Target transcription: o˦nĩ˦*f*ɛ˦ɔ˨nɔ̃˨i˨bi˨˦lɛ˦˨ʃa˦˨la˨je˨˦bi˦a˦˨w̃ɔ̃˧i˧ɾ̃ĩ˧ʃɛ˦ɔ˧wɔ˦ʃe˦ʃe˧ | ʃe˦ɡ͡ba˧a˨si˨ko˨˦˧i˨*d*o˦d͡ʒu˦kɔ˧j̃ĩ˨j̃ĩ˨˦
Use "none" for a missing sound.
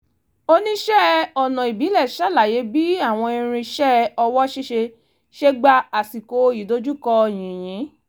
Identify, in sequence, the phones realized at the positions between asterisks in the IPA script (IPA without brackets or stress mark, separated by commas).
ʃ, d